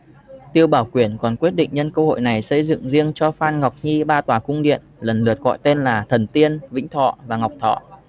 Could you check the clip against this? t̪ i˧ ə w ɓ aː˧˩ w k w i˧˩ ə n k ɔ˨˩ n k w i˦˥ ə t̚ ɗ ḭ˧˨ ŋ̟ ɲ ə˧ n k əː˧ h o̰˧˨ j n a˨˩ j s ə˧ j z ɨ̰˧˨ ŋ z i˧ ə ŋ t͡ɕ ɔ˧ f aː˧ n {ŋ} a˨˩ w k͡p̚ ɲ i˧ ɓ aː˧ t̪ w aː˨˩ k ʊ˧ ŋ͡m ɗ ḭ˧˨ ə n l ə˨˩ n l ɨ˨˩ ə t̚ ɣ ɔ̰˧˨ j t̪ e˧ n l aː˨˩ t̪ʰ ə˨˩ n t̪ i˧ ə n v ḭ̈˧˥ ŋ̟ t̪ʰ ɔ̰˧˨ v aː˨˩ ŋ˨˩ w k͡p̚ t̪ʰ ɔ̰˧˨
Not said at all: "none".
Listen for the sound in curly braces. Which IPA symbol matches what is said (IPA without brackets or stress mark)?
ŋ